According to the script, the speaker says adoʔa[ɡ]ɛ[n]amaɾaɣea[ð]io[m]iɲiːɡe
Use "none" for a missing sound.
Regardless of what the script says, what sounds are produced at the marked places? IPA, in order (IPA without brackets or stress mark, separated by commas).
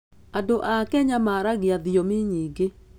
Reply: k, ɲ, ð, m